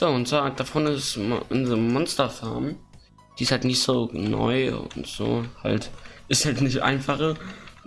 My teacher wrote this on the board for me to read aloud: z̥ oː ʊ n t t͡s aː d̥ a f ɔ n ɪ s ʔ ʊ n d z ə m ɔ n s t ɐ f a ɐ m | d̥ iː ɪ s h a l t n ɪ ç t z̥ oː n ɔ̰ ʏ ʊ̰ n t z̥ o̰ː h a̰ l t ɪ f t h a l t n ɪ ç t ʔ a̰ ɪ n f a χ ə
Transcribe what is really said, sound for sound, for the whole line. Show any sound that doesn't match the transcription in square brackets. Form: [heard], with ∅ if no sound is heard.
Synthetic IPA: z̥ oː ʊ n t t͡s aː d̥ a f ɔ n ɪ s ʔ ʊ n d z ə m ɔ n s t ɐ f a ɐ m | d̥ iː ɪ s h a l t n ɪ ç t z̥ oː n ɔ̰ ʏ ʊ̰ n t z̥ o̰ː h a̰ l t ɪ [s] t h a l t n ɪ ç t ʔ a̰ ɪ n f a χ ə

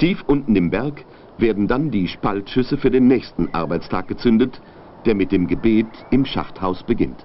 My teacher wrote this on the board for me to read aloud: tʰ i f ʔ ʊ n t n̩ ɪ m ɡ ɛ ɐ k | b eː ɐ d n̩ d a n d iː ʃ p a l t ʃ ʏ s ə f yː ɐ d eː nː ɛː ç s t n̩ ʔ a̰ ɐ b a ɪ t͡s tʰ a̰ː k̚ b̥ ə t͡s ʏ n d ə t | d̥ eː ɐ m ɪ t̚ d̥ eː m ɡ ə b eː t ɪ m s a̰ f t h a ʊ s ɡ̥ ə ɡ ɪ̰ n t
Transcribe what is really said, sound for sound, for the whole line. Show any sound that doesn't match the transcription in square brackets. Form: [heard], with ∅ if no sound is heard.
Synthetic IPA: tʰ [iː] f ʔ ʊ n t n̩ ɪ m [b] ɛ ɐ k | [v] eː ɐ d n̩ d a n d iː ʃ p a l t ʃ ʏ s ə f yː ɐ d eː nː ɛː ç s t n̩ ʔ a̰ ɐ b a ɪ t͡s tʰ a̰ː k̚ [ɡ̥] ə t͡s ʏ n d ə t | d̥ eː ɐ m ɪ t̚ d̥ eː m ɡ ə b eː t ɪ m [ʃ] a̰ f t h a ʊ s [b̥] ə ɡ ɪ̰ n t

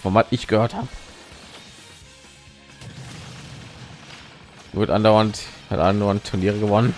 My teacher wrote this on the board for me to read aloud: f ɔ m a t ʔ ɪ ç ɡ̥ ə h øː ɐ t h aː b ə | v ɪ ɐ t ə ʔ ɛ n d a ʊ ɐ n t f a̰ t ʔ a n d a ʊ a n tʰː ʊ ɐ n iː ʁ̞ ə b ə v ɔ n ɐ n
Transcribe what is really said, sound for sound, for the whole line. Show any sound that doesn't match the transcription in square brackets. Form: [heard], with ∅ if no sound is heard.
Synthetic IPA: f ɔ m a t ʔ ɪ ç ɡ̥ ə h øː ɐ t h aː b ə | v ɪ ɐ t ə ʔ [a] n d a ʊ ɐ n t [h] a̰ t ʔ a n d a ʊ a n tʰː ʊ ɐ n iː ʁ̞ ə [ɡ] ə v ɔ n [ə] n

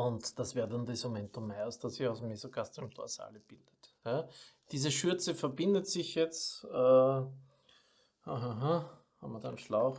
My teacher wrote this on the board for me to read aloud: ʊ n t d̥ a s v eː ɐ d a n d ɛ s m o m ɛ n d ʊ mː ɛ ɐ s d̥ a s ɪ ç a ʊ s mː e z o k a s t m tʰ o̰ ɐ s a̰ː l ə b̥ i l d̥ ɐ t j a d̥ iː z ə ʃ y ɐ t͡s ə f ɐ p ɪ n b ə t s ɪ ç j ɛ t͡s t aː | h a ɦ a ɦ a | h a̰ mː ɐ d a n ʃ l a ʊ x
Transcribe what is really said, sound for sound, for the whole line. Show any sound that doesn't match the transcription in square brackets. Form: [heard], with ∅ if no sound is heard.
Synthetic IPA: ʊ n t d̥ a s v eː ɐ d a n d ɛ s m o m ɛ n [t] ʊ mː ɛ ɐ s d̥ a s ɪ ç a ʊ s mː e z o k a s t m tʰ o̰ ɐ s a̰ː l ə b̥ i l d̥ [ə] t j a d̥ iː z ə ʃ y ɐ t͡s ə f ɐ [b] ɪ n [d] ə t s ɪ ç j ɛ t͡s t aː | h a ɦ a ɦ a | h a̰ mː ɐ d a n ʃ l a ʊ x

